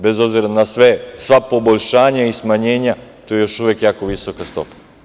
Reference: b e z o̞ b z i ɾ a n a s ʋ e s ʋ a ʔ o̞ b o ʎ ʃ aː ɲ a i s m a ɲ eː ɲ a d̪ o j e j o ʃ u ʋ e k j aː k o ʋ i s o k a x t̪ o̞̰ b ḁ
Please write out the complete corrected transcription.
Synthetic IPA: b e z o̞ b z i ɾ a n a s ʋ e s ʋ a p o̞ b o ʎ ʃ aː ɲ a i s m a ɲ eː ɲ a t̪ o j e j o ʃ u ʋ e k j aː k o ʋ i s o k a s t̪ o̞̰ p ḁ